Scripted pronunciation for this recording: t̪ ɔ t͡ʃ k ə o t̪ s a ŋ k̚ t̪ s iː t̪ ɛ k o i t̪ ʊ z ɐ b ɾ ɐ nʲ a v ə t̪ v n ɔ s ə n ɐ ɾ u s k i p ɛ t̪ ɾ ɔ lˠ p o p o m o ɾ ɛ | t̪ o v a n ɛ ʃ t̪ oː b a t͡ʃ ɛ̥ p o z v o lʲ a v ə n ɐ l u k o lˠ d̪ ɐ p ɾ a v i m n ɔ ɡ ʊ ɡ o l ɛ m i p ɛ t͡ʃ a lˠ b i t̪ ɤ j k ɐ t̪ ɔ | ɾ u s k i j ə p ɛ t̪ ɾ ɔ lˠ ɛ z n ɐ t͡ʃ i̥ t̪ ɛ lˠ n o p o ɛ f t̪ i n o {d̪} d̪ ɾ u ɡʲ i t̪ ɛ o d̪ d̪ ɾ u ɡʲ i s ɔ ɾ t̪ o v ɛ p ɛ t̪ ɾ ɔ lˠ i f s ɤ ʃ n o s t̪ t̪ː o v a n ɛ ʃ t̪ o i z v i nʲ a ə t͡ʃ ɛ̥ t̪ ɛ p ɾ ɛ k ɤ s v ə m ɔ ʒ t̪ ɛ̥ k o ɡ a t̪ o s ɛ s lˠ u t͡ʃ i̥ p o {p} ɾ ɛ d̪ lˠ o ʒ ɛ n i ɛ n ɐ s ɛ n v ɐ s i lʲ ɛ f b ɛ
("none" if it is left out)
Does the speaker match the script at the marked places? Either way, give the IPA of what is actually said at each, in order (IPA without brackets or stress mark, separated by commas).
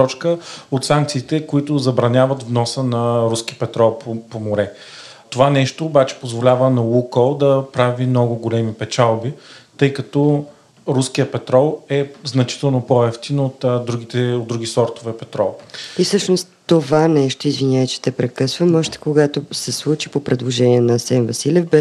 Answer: t̪, p